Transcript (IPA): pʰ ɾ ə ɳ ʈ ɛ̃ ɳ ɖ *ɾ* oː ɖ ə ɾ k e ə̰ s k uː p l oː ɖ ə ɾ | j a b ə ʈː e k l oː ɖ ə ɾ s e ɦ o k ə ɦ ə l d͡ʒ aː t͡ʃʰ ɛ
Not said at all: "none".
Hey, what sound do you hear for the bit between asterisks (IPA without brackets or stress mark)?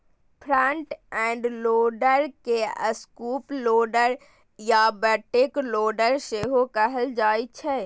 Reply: l